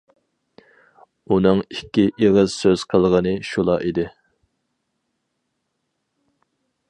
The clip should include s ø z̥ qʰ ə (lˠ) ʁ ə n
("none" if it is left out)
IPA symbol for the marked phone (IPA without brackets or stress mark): lˠ